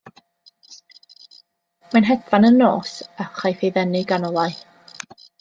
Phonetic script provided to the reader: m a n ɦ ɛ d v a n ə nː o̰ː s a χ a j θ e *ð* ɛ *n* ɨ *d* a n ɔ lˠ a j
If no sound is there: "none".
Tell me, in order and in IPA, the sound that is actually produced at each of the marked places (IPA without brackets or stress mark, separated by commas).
ð, n, ɡ